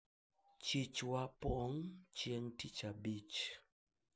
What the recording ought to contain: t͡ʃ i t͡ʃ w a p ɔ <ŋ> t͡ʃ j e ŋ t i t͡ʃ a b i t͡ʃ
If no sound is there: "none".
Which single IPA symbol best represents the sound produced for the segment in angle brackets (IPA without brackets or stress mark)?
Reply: ŋ